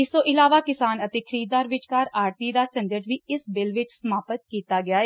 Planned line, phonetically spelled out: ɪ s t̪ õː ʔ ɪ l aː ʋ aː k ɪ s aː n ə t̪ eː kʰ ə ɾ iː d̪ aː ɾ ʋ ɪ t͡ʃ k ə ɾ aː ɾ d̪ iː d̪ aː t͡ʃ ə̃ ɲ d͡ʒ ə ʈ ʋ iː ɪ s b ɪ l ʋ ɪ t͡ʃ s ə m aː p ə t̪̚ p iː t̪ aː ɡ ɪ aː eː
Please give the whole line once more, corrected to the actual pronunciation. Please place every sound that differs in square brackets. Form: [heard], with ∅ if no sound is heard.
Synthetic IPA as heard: ɪ s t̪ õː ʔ ɪ l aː ʋ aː k ɪ s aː n ə t̪ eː kʰ ə ɾ iː d̪ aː ɾ ʋ ɪ t͡ʃ k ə ɾ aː ɾ [t̪] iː d̪ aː t͡ʃ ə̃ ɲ d͡ʒ ə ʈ ʋ iː ɪ s b ɪ l ʋ ɪ t͡ʃ s ə m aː p ə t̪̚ [k] iː t̪ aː ɡ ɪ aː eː